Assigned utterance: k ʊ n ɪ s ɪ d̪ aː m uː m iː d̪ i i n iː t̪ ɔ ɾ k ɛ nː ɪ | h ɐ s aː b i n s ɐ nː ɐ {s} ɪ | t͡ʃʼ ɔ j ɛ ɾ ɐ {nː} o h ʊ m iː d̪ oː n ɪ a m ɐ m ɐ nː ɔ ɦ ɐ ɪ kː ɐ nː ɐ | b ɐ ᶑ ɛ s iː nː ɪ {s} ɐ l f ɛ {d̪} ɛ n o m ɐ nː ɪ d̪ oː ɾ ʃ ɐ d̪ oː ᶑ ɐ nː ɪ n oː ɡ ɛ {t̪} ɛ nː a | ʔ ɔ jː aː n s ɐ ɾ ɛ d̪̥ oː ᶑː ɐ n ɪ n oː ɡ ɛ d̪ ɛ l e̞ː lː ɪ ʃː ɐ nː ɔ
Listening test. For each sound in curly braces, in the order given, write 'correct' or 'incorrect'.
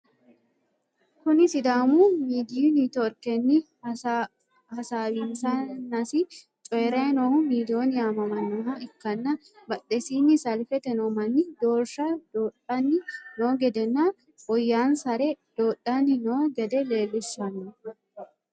correct, incorrect: n, correct, incorrect: t̪, incorrect: d̪

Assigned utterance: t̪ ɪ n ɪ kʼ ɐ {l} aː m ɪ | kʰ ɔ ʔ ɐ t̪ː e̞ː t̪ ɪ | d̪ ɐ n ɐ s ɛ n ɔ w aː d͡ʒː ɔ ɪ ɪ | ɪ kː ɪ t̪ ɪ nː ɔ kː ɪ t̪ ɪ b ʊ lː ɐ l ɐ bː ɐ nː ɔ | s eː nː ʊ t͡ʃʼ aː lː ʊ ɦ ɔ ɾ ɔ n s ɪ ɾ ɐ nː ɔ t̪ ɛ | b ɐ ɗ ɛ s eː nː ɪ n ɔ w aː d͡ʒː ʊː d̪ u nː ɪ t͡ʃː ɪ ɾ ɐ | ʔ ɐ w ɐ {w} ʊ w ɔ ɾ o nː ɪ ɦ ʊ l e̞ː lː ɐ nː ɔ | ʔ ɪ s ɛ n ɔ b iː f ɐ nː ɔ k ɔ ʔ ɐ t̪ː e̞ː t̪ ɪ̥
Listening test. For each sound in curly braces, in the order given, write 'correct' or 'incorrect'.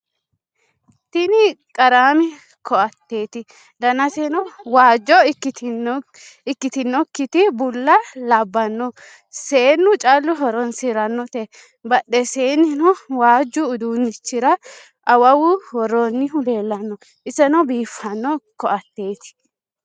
incorrect: ɾ, correct

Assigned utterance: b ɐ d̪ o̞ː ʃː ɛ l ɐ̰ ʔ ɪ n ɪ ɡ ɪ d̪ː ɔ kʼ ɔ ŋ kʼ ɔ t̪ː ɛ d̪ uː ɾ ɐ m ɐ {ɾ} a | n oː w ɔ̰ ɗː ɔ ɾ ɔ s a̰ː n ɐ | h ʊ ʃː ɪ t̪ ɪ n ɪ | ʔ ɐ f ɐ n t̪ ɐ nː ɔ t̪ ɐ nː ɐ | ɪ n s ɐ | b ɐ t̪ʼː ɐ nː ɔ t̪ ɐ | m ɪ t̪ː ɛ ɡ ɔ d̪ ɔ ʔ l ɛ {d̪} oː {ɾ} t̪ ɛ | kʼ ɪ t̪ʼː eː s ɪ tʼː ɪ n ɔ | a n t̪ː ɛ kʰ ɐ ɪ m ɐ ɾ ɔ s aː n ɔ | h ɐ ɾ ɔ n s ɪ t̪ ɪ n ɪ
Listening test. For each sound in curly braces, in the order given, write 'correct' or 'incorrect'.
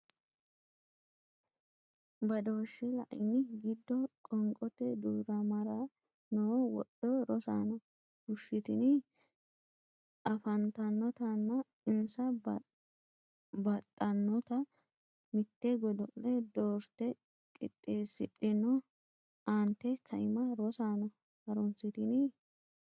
correct, correct, correct

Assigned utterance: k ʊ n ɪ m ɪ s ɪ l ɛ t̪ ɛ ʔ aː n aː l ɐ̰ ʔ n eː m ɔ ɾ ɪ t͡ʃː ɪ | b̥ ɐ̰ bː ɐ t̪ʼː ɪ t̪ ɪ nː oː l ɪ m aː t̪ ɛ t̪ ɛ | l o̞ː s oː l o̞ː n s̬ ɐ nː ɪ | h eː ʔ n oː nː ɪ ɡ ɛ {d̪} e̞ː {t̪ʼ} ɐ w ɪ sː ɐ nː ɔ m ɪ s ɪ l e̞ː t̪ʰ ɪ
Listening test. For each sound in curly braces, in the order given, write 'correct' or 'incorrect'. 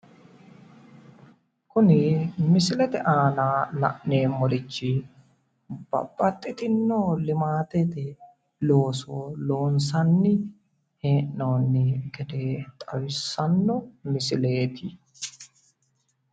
correct, correct

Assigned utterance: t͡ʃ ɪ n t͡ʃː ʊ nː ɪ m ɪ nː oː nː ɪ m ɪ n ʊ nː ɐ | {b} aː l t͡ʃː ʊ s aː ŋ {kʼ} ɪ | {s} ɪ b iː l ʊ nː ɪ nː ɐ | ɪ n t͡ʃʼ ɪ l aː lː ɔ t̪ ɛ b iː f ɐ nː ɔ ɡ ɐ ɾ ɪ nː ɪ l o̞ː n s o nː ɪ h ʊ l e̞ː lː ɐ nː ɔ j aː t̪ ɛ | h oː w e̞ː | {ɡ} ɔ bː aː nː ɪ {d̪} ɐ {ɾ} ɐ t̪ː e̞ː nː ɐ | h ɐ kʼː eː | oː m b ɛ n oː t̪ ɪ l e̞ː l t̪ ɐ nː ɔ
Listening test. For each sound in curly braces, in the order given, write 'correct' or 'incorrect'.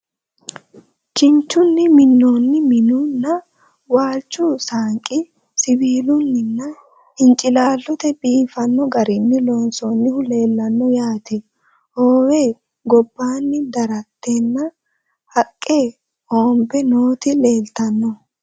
incorrect: w, correct, correct, correct, correct, correct

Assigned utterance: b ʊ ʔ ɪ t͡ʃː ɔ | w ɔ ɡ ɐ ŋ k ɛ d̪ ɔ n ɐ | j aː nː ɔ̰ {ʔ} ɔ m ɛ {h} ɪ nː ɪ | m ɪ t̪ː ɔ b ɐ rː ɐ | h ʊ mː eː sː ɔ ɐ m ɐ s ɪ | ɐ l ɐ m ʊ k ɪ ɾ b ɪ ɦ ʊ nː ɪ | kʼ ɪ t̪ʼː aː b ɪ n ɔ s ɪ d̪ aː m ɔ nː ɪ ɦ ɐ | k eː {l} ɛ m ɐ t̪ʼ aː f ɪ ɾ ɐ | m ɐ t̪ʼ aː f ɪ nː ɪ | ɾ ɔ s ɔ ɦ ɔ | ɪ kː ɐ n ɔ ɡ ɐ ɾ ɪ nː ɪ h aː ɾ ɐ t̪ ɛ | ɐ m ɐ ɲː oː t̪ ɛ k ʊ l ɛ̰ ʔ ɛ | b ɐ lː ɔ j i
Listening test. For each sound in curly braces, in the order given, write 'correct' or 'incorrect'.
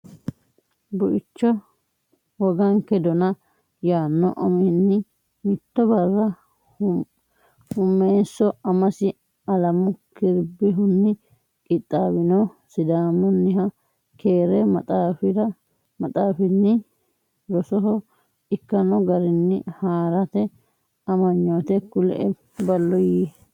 correct, correct, incorrect: ɾ

